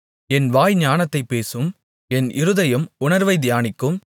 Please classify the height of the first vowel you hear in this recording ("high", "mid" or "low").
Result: mid